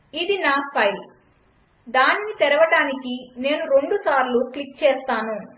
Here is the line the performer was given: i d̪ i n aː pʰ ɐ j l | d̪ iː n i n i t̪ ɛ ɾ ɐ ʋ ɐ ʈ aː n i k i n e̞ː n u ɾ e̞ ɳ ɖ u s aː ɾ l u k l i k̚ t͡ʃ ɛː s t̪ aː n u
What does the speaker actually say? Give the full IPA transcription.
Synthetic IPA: i d̪ i n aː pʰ ɐ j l | d̪ aː n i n i t̪ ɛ ɾ ɐ ʋ ɐ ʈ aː n i k i n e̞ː n u ɾ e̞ ɳ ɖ u s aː ɾ l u k l i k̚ t͡ʃ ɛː s t̪ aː n u